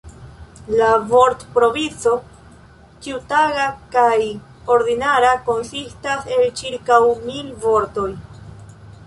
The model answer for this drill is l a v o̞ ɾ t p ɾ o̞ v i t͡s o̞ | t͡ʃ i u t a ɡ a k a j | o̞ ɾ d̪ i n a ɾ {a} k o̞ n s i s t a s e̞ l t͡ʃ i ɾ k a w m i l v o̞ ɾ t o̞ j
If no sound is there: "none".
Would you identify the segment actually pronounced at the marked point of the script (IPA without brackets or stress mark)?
a